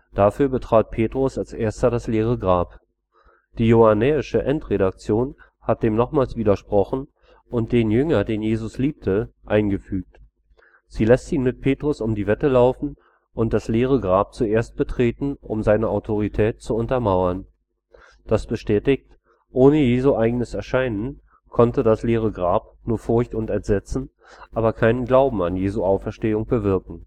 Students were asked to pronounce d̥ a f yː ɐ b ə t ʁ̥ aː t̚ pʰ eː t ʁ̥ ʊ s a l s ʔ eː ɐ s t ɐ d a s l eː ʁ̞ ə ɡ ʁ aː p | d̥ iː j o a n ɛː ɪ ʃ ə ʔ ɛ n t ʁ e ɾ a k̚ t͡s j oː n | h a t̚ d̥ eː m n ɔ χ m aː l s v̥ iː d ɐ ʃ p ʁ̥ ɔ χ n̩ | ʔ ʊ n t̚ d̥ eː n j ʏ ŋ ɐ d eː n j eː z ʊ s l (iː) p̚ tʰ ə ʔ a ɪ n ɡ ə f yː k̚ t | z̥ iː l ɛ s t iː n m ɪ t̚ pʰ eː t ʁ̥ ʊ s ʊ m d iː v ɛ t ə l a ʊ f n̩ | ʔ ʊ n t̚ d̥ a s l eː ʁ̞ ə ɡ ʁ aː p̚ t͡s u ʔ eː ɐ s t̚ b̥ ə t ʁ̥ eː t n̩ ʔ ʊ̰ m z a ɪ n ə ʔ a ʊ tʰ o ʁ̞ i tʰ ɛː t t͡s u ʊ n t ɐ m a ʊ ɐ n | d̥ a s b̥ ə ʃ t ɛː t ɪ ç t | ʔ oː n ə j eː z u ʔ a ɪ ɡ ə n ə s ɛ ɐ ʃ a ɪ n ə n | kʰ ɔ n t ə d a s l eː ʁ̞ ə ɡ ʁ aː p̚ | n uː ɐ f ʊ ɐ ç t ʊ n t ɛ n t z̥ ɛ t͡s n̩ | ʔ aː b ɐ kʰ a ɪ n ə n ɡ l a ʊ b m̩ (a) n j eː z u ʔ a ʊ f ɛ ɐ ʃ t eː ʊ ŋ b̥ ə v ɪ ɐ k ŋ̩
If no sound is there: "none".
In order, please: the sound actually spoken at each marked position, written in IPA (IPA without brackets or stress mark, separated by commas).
iː, a